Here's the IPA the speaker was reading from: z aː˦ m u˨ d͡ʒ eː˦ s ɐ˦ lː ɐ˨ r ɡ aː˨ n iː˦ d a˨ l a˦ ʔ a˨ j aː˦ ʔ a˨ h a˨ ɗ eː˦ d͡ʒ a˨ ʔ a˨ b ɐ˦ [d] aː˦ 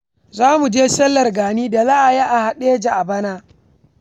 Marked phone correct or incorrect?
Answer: incorrect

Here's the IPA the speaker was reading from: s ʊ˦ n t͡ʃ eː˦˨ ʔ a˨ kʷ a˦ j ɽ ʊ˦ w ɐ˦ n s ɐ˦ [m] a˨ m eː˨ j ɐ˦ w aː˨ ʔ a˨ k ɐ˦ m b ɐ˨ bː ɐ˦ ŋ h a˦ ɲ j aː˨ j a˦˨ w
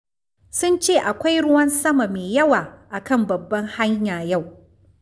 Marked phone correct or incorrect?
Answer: correct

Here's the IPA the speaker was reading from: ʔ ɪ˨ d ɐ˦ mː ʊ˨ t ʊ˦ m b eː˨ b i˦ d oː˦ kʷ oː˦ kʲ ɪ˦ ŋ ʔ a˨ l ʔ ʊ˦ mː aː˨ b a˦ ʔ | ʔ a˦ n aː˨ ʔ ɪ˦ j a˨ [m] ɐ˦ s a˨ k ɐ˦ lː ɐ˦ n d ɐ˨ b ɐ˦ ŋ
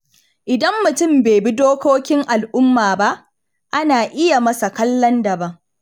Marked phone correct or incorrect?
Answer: correct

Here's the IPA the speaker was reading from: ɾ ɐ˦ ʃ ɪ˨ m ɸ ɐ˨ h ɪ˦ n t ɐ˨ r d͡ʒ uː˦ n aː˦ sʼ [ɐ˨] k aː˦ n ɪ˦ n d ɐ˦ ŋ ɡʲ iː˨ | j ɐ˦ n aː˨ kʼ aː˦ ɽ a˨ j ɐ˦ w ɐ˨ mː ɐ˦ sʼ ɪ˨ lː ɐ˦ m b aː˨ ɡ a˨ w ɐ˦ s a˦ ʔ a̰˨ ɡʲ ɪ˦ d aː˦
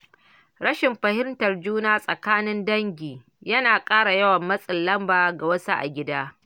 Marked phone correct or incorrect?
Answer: correct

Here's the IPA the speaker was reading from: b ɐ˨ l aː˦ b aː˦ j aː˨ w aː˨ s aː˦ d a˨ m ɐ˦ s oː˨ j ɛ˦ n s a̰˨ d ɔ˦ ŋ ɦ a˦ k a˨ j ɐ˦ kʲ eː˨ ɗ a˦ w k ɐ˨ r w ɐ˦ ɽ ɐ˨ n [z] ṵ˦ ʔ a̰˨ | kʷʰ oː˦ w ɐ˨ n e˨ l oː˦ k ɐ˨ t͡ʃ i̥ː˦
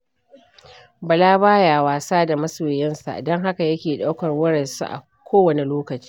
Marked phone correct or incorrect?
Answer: incorrect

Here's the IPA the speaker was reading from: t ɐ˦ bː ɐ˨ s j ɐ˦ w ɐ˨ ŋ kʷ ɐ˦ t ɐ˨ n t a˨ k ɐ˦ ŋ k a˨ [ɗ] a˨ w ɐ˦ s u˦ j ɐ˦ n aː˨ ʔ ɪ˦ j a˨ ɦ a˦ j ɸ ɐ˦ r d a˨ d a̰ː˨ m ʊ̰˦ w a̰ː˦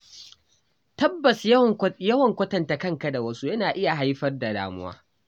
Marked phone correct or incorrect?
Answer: incorrect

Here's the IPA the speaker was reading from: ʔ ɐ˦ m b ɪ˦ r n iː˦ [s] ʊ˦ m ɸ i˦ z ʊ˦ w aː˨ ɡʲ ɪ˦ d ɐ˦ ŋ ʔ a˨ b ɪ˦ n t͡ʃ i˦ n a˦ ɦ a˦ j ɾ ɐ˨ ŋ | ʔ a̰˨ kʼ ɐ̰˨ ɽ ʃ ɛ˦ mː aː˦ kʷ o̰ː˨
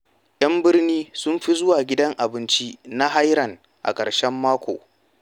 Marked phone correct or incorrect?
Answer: correct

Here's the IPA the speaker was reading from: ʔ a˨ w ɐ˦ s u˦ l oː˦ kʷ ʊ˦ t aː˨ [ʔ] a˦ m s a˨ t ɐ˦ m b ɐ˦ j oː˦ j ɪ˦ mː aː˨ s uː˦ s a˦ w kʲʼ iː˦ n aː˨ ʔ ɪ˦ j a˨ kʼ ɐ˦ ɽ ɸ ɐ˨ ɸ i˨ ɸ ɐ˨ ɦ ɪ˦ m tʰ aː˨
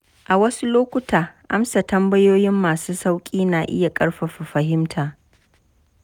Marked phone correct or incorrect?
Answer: correct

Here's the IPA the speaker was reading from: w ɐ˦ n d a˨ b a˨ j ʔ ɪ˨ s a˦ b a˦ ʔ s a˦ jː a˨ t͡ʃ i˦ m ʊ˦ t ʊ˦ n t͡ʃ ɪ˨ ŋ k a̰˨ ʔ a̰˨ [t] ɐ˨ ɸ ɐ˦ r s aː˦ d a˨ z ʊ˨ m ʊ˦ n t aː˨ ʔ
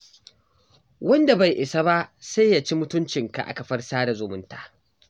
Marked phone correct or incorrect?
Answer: incorrect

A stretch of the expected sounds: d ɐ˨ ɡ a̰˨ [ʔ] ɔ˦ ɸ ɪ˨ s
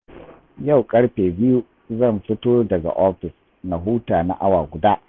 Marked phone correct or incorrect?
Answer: correct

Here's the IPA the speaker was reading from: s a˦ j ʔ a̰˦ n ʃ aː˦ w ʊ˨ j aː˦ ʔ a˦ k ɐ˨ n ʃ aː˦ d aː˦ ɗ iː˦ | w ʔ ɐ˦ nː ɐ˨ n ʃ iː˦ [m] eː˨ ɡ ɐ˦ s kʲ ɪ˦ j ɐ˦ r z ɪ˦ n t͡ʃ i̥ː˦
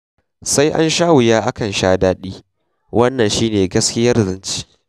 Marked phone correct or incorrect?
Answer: incorrect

